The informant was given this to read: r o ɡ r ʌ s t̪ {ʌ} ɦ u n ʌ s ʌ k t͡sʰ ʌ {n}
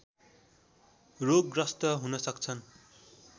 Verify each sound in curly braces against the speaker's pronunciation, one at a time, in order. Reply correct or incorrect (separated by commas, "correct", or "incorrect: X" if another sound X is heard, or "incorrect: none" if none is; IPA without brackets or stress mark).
correct, correct